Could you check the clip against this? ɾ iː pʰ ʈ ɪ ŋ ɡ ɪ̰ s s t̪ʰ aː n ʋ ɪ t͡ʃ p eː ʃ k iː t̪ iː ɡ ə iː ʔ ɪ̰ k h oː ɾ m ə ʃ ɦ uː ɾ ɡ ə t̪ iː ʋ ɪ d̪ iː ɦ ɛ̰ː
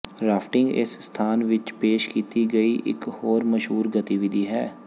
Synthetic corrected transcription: ɾ aː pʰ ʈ ɪ ŋ ɡ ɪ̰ s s t̪ʰ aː n ʋ ɪ t͡ʃ p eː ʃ k iː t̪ iː ɡ ə iː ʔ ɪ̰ k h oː ɾ m ə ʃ ɦ uː ɾ ɡ ə t̪ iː ʋ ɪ d̪ iː ɦ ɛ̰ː

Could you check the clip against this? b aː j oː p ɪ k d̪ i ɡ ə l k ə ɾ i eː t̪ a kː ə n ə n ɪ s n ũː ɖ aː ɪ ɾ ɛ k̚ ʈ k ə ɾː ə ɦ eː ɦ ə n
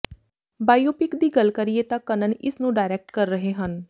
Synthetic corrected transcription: b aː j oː p ɪ k d̪ iː ɡ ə l k ə ɾ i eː t̪ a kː ə n ə n ɪ s n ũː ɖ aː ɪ ɾ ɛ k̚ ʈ k ə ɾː ə ɦ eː ɦ ə n

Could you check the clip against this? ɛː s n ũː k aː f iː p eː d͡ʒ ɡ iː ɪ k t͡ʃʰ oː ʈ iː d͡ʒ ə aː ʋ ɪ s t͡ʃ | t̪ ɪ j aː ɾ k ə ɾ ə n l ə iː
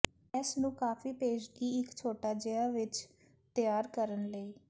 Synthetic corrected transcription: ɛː s n ũː k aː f iː p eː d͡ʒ ɡ iː ɪ k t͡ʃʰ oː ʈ aː d͡ʒ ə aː ʋ ɪ t͡ʃ | t̪ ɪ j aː ɾ k ə ɾ ə n l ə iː

